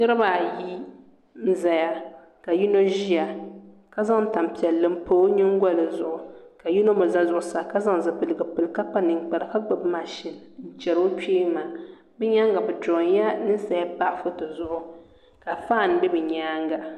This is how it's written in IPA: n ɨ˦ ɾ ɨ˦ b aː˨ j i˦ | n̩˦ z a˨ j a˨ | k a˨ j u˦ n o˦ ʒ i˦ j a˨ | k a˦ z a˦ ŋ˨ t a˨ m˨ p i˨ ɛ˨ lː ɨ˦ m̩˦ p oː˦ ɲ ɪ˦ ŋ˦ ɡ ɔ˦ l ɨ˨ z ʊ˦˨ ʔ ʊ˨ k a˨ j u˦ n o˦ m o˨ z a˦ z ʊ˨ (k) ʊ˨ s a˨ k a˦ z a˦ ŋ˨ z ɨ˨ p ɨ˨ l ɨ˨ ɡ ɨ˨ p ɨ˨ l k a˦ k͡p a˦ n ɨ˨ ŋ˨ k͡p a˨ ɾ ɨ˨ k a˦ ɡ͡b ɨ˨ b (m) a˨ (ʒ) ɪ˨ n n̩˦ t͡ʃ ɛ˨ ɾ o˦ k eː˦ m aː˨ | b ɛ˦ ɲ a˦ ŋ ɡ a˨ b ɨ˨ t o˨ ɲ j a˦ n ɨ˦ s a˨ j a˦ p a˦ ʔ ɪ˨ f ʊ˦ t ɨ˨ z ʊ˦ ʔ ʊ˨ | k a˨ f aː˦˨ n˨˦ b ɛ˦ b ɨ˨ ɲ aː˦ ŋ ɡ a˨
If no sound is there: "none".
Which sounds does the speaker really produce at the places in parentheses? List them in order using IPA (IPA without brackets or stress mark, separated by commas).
ʔ, m, ʃ